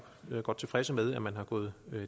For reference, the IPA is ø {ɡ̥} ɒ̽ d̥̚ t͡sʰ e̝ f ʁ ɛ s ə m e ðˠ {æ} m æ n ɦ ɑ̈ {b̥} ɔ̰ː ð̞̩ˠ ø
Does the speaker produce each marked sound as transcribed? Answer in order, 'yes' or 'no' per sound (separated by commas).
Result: yes, yes, no